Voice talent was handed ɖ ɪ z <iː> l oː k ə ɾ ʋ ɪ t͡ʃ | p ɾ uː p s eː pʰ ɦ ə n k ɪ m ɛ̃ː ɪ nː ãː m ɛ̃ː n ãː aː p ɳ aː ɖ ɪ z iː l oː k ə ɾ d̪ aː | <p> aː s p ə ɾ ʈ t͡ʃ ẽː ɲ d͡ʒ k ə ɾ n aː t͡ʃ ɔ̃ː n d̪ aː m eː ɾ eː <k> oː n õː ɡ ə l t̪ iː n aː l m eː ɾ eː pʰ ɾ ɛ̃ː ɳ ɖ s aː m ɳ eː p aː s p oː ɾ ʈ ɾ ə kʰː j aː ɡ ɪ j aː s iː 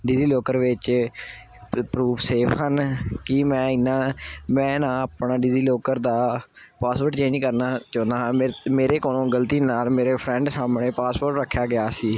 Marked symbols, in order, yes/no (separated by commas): yes, yes, yes